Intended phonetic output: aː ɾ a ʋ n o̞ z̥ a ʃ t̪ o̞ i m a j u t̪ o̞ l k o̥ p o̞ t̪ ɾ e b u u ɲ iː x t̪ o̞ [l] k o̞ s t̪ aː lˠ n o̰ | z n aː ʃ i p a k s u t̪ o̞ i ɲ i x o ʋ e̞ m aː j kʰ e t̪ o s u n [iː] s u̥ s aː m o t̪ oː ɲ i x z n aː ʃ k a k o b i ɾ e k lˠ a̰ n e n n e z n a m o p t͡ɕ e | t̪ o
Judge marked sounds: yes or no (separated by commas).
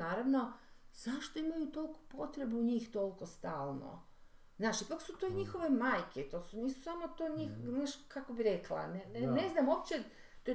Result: yes, yes